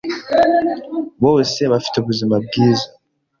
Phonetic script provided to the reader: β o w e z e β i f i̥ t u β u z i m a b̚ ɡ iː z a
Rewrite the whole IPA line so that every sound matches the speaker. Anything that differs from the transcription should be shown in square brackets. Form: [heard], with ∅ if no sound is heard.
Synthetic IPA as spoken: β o w e [s] e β [a] f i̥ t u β u z i m a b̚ ɡ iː z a